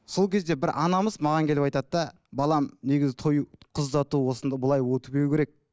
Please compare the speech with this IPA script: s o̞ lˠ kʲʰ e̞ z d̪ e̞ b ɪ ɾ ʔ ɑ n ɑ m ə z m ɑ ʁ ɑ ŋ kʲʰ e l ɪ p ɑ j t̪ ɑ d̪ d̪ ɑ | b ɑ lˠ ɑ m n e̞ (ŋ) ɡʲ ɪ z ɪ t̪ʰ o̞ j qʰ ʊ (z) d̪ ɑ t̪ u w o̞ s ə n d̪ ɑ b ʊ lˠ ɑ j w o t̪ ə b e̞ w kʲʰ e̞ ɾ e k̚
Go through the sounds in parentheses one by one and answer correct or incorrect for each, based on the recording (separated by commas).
incorrect, correct